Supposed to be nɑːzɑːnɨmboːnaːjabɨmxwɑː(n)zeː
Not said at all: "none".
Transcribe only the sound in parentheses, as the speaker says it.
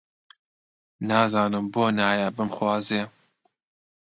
none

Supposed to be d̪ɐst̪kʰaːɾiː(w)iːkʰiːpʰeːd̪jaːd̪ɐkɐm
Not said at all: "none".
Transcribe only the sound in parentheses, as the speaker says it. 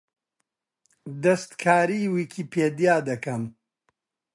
w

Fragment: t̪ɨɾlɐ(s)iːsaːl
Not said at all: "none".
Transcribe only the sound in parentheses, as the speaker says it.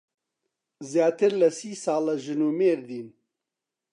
s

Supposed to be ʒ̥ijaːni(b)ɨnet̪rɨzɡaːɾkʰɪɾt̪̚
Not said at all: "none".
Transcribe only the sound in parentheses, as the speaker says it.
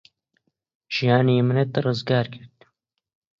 m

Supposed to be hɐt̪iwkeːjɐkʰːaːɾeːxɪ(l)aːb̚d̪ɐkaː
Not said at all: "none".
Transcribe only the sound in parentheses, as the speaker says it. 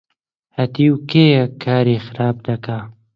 ɾ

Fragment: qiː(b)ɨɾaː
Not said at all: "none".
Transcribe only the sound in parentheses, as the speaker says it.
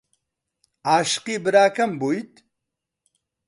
b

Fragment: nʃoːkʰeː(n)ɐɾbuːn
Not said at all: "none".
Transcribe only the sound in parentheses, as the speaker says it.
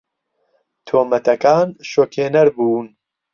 n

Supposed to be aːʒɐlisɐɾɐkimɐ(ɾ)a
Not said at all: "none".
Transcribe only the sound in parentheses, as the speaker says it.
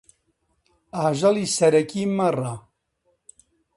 r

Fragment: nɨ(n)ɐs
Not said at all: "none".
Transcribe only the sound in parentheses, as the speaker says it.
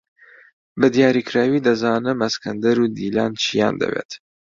m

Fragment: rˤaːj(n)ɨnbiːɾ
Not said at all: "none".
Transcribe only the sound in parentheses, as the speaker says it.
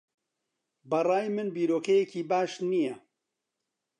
m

